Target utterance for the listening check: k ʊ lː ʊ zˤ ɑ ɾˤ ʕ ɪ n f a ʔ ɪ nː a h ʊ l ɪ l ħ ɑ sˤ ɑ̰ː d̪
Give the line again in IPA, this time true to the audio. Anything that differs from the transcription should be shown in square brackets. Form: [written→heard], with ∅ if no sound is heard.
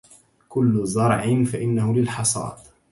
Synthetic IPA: k ʊ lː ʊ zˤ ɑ ɾˤ ʕ ɪ n f a ʔ ɪ nː a h ʊ l ɪ l ħ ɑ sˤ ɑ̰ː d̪